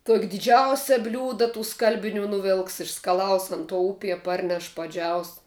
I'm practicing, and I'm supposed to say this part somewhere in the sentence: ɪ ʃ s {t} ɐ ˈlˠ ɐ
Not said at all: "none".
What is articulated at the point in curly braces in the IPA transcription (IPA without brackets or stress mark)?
k